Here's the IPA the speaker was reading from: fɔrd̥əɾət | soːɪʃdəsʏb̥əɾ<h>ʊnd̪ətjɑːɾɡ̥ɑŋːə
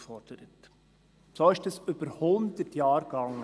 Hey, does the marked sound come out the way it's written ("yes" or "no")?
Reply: yes